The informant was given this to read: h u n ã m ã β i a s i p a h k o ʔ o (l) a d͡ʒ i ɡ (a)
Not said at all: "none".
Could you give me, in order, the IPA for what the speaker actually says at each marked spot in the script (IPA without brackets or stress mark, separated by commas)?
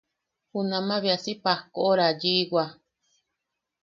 ɾ, a